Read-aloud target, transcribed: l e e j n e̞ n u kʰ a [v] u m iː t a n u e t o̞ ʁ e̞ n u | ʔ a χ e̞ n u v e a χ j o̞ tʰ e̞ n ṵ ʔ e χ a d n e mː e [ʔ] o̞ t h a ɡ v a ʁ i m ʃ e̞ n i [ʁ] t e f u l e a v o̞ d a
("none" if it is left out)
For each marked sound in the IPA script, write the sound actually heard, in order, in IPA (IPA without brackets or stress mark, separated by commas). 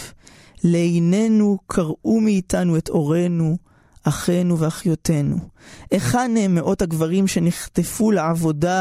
ʁ, ʔ, χ